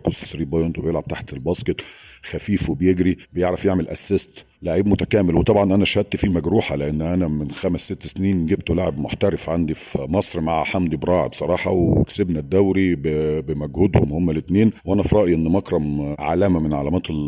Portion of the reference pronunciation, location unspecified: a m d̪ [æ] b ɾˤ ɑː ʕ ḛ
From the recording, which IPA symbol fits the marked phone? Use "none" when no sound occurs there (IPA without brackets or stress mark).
i